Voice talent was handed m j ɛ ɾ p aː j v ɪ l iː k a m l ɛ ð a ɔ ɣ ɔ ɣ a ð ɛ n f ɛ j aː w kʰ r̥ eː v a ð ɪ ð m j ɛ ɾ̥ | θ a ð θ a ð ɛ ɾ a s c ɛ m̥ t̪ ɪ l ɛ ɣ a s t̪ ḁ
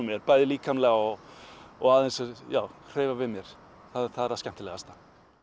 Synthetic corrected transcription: m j ɛ ɾ p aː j ð ɪ l iː k a m l ɛ ɣ a ɔ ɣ ɔ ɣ a ð ɛ n s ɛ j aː w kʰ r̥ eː v a v ɪ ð m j ɛ ɾ̥ | θ a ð θ a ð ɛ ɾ a s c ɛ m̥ t̪ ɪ l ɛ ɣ a s t̪ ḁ